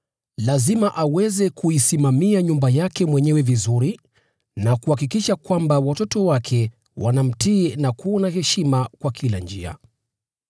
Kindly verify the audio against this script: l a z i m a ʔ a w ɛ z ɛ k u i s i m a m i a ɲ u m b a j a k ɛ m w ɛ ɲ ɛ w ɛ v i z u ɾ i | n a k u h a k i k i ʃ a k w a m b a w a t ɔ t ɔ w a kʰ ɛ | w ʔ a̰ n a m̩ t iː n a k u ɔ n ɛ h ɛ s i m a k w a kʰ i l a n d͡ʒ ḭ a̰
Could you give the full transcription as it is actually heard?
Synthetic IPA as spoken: l a z i m a ʔ a w ɛ z ɛ k u i s i m a m i a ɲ u m b a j a k ɛ m w ɛ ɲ ɛ w ɛ v i z u ɾ i | n a k u h a k i k i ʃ a k w a m b a w a t ɔ t ɔ w a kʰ ɛ | w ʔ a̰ n a m̩ t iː n a k u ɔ n a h ɛ ʃ i m a k w a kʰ i l a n d͡ʒ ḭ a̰